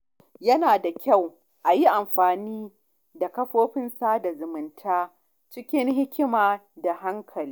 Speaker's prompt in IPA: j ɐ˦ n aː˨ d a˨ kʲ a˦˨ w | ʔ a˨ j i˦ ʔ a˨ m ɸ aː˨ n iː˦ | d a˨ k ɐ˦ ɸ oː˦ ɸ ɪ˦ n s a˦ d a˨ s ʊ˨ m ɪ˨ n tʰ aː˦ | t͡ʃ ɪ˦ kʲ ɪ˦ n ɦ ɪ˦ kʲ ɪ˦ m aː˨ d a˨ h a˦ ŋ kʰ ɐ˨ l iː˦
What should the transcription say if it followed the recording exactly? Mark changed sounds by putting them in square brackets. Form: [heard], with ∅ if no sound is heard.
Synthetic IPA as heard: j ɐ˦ n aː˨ d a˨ kʲ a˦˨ w | ʔ a˨ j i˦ ʔ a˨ m ɸ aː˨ n iː˦ | d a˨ k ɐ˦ ɸ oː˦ ɸ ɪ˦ n s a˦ d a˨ [z] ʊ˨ m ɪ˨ n tʰ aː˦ | t͡ʃ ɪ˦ kʲ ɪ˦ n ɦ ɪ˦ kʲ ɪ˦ m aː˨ d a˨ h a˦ ŋ kʰ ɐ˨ l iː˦